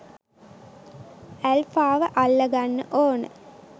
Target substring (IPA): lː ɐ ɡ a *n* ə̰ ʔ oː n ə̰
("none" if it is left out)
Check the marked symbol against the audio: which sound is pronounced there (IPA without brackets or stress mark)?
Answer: nː